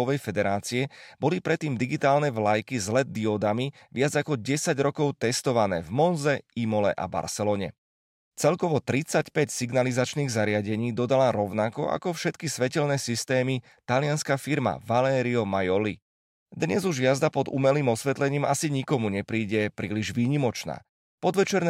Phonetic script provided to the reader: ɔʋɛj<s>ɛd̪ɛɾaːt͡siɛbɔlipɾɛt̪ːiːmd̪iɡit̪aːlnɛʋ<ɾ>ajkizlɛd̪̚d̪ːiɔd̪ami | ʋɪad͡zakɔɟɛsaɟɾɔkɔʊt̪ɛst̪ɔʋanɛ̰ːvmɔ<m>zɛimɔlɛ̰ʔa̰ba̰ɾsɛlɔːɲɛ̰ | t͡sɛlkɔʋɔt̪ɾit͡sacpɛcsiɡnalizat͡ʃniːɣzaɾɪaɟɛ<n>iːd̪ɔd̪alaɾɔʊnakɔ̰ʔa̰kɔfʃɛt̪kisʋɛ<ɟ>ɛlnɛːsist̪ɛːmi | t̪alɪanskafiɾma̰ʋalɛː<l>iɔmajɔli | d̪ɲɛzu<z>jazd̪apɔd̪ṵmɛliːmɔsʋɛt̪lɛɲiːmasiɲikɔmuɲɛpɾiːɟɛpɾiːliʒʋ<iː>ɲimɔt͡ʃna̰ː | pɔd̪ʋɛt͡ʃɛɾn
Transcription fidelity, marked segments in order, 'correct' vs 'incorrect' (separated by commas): incorrect, incorrect, incorrect, incorrect, incorrect, incorrect, incorrect, correct